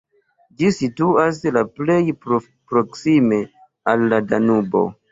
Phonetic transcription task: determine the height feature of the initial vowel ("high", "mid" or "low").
high